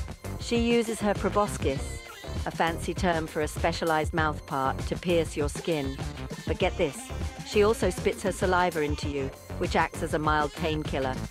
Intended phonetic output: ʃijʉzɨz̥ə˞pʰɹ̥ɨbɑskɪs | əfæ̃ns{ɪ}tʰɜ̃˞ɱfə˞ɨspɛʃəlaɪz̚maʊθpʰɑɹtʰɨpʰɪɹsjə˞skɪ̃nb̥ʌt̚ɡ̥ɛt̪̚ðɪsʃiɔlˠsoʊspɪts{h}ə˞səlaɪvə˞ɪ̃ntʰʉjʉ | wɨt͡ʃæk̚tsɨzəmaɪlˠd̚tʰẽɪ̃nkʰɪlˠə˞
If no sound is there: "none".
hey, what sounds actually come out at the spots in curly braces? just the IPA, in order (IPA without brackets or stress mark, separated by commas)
i, h